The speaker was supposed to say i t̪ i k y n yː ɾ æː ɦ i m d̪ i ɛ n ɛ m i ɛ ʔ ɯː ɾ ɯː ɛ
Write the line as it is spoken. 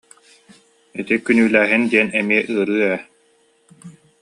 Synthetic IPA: i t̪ i k y n yː l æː ɦ i n d̪ i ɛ n ɛ m i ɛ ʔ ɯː ɾ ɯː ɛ